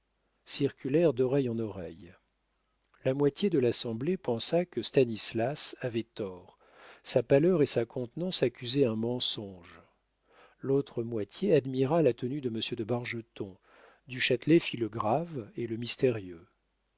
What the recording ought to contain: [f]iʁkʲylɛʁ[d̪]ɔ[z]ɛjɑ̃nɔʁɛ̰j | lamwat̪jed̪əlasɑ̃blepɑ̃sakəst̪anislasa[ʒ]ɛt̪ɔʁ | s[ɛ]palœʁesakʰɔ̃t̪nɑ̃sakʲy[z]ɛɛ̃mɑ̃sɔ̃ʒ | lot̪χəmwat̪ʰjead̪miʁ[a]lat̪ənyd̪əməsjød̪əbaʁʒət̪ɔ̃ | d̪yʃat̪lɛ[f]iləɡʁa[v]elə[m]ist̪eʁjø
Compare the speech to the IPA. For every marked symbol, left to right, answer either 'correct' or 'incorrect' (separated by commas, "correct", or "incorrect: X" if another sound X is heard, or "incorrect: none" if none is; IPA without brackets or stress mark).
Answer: incorrect: s, correct, incorrect: ʁ, incorrect: v, incorrect: a, correct, correct, correct, correct, correct